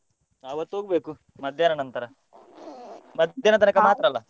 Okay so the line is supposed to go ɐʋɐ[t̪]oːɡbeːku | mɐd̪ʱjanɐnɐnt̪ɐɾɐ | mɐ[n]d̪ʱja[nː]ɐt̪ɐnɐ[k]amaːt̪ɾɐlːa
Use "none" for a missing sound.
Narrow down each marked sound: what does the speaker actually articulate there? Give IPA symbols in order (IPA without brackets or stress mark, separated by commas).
t̪, none, n, k